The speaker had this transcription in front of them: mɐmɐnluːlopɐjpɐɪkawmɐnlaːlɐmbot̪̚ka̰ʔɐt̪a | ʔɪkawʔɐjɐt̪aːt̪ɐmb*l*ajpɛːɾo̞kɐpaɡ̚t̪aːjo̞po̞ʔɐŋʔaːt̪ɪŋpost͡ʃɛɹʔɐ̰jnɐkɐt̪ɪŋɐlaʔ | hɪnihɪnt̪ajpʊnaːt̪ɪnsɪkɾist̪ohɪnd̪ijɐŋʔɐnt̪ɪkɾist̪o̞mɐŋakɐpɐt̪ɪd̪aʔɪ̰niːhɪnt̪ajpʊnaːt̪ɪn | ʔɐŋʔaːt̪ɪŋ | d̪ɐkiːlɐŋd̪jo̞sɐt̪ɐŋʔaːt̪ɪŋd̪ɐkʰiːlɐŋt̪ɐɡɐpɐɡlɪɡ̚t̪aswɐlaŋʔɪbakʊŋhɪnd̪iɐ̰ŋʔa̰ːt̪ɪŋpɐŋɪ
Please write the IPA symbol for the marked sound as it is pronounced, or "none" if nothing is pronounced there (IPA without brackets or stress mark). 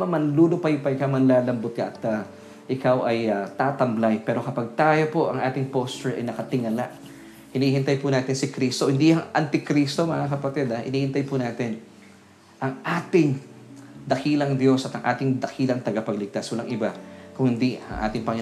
l